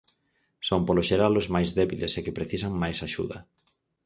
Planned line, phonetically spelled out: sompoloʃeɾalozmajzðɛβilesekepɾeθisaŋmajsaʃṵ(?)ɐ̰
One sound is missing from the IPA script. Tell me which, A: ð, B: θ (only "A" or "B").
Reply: A